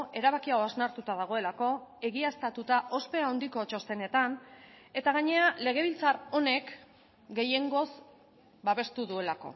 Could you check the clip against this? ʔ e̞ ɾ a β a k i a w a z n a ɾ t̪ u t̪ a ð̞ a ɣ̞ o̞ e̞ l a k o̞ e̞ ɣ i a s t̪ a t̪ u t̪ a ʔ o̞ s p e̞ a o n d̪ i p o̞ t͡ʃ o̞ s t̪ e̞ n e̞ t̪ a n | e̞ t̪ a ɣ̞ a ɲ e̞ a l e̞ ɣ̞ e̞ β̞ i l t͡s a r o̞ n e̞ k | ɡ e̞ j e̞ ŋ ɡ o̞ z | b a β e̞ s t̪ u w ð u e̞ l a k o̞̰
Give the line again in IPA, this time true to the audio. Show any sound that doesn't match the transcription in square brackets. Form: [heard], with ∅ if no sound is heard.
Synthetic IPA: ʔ e̞ ɾ a β a k i a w a z n a ɾ t̪ u t̪ a ð̞ a ɣ̞ o̞ e̞ l a k o̞ e̞ ɣ i a s t̪ a t̪ u t̪ a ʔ o̞ s p e̞ a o n d̪ i [k] o̞ t͡ʃ o̞ s t̪ e̞ n e̞ t̪ a n | e̞ t̪ a ɣ̞ a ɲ e̞ a l e̞ ɣ̞ e̞ β̞ i l t͡s a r o̞ n e̞ k | ɡ e̞ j e̞ ŋ ɡ o̞ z | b a β e̞ s t̪ u [∅] ð u e̞ l a k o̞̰